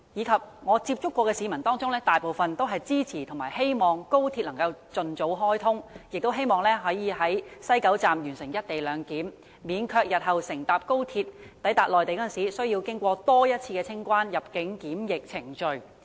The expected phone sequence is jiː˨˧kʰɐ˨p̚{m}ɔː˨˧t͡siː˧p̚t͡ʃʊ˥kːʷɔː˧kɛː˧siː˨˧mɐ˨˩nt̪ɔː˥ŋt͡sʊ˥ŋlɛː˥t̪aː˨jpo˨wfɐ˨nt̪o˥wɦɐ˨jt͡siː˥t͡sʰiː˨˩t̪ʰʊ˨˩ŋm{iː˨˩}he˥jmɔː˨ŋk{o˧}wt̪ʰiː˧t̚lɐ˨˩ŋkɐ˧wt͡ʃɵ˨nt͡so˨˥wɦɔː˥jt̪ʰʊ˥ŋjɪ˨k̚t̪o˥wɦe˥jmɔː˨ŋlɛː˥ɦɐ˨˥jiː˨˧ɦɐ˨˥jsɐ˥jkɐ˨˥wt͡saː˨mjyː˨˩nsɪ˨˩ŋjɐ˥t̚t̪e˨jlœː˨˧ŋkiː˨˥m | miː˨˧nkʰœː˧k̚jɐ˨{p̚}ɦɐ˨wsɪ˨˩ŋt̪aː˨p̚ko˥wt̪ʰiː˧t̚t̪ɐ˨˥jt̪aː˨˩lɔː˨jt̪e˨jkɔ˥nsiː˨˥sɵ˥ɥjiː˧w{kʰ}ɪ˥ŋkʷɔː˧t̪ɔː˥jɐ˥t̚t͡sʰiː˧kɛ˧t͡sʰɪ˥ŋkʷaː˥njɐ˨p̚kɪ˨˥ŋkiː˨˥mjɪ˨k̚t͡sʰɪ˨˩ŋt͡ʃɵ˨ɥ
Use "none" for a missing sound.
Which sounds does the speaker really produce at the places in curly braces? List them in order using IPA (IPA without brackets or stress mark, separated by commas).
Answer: ŋ, aː˨˩, o˥, t̚, k